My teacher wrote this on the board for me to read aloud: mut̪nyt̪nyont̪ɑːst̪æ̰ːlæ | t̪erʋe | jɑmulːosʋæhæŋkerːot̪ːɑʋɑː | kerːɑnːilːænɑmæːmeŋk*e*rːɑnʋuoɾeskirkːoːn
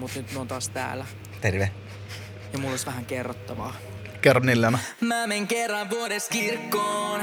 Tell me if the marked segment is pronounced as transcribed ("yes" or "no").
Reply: yes